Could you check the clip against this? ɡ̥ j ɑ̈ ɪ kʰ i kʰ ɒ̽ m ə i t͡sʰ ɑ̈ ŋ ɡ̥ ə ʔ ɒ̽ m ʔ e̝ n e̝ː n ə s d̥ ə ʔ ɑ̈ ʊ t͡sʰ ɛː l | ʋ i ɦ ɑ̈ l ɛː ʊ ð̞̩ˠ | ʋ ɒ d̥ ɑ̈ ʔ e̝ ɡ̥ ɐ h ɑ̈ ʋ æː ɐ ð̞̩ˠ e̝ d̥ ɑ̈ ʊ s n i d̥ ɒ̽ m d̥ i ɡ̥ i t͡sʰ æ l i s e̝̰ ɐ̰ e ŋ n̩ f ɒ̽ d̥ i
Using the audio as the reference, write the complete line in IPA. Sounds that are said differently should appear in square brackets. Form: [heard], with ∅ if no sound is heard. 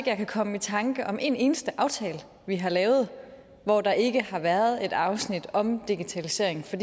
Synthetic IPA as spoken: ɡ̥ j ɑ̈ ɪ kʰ [æ] kʰ ɒ̽ m ə i t͡sʰ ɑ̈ ŋ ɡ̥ ə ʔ ɒ̽ m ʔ e̝ n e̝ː n ə s d̥ ə ʔ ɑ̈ ʊ t͡sʰ ɛː l | ʋ i ɦ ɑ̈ l ɛː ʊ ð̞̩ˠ | ʋ ɒ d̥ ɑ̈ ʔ e̝ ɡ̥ [ə] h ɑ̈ ʋ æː ɐ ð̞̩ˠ e̝ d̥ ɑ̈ ʊ s n i d̥ ɒ̽ m d̥ i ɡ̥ i t͡sʰ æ l i s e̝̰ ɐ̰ e ŋ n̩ f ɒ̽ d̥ i